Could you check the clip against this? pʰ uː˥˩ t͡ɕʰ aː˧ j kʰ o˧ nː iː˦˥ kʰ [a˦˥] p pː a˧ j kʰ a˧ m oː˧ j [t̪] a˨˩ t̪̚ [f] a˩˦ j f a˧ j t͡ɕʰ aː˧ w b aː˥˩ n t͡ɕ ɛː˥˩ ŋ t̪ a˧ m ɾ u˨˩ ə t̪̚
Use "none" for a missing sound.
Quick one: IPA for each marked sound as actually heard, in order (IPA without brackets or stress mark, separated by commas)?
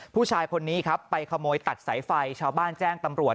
a˦˥, t̪, s